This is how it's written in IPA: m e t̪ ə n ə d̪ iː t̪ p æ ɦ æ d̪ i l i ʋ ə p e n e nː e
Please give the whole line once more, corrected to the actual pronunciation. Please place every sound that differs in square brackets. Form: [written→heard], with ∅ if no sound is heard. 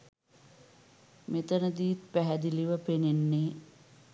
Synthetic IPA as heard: m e t̪ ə n ə d̪ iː t̪ p æ ɦ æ d̪ i l i ʋ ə p e n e nː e